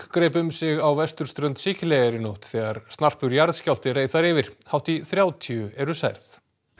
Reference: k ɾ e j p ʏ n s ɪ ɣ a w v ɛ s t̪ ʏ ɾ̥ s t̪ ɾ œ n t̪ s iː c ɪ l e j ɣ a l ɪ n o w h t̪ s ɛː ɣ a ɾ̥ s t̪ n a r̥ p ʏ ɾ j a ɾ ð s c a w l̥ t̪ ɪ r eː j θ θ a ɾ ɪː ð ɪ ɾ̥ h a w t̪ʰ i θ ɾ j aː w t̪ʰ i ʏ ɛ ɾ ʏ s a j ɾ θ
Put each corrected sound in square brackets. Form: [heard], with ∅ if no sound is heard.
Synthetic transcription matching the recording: k ɾ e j p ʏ [m] s ɪ ɣ a w v ɛ s t̪ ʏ ɾ̥ s t̪ ɾ œ n t̪ s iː c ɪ l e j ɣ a [ɾ] ɪ n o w h t̪ [θ] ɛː ɣ a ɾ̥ s t̪ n a r̥ p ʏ ɾ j a ɾ ð s c a w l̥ t̪ ɪ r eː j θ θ a ɾ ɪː [v] ɪ ɾ̥ h a w [t̪] i θ ɾ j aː w t̪ʰ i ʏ ɛ ɾ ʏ s a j ɾ θ

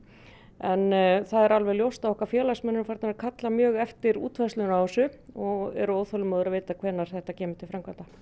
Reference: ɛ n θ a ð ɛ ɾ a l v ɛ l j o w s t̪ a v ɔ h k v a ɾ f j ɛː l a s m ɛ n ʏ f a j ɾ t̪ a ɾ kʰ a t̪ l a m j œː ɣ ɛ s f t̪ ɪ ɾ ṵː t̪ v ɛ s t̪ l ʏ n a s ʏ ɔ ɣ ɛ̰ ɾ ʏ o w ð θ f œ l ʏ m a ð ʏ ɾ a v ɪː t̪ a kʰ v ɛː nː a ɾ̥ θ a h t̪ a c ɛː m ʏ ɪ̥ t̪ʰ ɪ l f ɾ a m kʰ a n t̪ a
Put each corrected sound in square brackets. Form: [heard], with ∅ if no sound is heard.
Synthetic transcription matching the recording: ɛ n θ a ð ɛ ɾ a l v ɛ l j o w s t̪ a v ɔ h k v a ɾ f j ɛː l a s m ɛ n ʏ f a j ɾ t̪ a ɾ kʰ a t̪ l a m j œː ɣ ɛ [∅] f t̪ ɪ ɾ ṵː t̪ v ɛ s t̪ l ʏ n a s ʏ ɔ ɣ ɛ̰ ɾ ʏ o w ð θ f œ l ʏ m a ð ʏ ɾ a v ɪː t̪ a kʰ v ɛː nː a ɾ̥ θ [ɛ] h t̪ a c ɛː m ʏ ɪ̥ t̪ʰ ɪ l f ɾ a m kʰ a n t̪ a

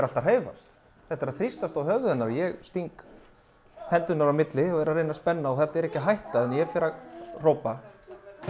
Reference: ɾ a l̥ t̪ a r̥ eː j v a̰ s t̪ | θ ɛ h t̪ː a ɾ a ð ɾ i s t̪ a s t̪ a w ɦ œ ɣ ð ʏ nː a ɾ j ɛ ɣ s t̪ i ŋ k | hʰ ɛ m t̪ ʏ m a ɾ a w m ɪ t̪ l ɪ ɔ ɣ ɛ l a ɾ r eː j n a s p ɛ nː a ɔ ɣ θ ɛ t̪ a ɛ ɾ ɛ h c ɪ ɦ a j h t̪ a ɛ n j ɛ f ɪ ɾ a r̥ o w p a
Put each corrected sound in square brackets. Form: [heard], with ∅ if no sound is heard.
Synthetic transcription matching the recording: ɾ a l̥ t̪ a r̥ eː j v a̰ s t̪ | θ ɛ h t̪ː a ɾ a [θ] ɾ i s t̪ a s t̪ a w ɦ œ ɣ ð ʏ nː a ɾ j ɛ ɣ s t̪ i ŋ k | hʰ ɛ [n] t̪ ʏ [n] a ɾ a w m ɪ t̪ l ɪ ɔ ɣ ɛ [ɾ] a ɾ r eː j n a s p ɛ nː a ɔ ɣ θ ɛ t̪ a ɛ ɾ ɛ h c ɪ ɦ a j h t̪ a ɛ n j ɛ f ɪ ɾ a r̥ o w p a

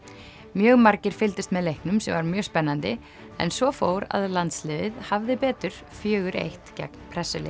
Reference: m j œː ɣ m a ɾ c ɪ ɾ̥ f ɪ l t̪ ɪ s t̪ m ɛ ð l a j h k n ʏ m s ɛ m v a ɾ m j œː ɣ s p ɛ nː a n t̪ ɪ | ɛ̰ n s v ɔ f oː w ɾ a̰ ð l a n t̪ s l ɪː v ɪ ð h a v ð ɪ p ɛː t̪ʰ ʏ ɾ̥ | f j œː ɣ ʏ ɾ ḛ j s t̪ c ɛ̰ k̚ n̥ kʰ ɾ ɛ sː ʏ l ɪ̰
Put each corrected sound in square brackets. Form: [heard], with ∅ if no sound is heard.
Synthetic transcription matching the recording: m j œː ɣ m a ɾ c ɪ ɾ̥ f ɪ l t̪ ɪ s t̪ m ɛ ð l [e] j h k n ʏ m s ɛ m v a ɾ m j œː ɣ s p ɛ nː a n t̪ ɪ | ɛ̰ n s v ɔ f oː w ɾ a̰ ð l a n t̪ s l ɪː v ɪ ð h a v ð ɪ p ɛː [t̪] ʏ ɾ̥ | f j œː ɣ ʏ ɾ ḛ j [h] t̪ c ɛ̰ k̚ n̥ [pʰ] ɾ ɛ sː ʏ l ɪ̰

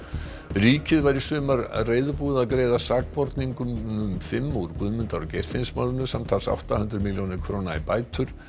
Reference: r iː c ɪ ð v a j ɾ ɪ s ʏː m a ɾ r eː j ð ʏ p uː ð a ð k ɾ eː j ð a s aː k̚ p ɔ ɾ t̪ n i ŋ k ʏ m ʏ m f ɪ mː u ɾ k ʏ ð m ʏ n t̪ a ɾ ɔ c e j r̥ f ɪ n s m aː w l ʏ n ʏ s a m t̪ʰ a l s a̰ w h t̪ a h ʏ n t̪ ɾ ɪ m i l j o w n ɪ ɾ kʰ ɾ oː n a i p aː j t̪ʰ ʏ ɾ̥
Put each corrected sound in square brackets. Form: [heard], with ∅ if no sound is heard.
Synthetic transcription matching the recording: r iː c ɪ ð v a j ɾ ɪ s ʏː m a ɾ r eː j ð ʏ p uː ð a ð k ɾ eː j ð a s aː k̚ p ɔ ɾ t̪ n i ŋ k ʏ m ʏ m f ɪ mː u ɾ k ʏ ð m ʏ n t̪ a ɾ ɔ c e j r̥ f ɪ n s m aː w l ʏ n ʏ s a m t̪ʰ a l s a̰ w h t̪ a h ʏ n t̪ ɾ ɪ m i l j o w n ɪ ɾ kʰ ɾ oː n a i p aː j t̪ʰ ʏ ɾ̥

